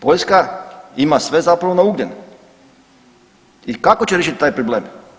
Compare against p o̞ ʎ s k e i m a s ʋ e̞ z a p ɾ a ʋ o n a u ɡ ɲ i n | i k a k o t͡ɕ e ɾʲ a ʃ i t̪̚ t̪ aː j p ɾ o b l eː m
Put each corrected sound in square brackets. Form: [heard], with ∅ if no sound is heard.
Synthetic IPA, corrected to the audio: p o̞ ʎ s k [a] i m a s ʋ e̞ z a p ɾ a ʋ o n a u ɡ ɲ [e] n | i k a k o t͡ɕ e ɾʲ [e] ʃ i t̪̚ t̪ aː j p ɾ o b l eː m

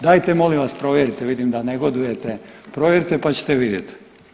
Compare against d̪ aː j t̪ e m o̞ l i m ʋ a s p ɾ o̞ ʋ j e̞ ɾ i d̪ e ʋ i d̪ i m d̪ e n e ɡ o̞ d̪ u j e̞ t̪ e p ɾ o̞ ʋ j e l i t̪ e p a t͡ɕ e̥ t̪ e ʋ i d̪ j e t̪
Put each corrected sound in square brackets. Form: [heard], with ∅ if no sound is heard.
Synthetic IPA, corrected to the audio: d̪ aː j t̪ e m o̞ l i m ʋ a s p ɾ o̞ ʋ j e̞ ɾ i [t̪] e ʋ i d̪ i m d̪ [a] n e ɡ o̞ d̪ u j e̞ t̪ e p ɾ o̞ ʋ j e [ɾ] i t̪ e p a t͡ɕ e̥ t̪ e ʋ i d̪ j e t̪

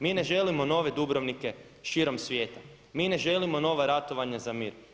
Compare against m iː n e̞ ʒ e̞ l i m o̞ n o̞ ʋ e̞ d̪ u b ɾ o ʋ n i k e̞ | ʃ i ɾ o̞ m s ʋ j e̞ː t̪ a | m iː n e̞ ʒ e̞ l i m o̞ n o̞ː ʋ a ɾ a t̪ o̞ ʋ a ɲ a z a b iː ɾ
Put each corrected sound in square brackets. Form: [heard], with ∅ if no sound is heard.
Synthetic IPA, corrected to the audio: m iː n e̞ ʒ e̞ l i m o̞ n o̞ ʋ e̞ d̪ u b ɾ o ʋ n i k e̞ | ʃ i ɾ o̞ m s ʋ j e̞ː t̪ a | m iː n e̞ ʒ e̞ l i m o̞ n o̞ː ʋ a ɾ a t̪ o̞ ʋ a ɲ a z a [m] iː ɾ

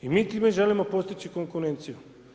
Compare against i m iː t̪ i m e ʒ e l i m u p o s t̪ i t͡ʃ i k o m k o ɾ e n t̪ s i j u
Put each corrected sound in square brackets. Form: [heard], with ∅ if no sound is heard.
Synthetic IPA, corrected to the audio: i m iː t̪ i m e ʒ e l i m [o] p o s t̪ i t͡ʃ i k o [ŋ] k [u] ɾ e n t̪ s i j u

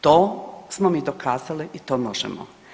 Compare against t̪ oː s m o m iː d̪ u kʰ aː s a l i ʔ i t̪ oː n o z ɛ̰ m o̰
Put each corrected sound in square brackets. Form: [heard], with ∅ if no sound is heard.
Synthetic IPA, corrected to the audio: t̪ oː s m o m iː d̪ [o] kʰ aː [z] a l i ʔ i t̪ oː [m] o [ʒ] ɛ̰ m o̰

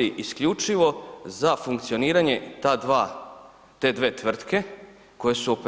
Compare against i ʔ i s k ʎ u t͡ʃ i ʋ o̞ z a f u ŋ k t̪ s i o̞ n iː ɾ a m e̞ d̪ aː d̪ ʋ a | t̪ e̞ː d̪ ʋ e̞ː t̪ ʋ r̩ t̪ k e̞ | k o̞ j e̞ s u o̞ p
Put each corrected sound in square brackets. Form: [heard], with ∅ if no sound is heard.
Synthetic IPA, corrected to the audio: i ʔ i s k ʎ u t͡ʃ i ʋ o̞ z a f u ŋ k t̪ s i o̞ n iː ɾ a [ɲ] e̞ [t̪] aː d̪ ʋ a | t̪ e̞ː d̪ ʋ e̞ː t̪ ʋ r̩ t̪ k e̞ | k o̞ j e̞ s u o̞ p

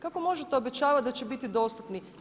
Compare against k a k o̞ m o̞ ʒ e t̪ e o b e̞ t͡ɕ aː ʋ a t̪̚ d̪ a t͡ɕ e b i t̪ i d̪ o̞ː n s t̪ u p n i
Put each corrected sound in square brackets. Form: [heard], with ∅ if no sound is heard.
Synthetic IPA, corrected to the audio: k a k o̞ m o̞ ʒ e t̪ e o b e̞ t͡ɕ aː ʋ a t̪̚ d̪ a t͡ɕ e b i t̪ i d̪ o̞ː [∅] s t̪ u p n i

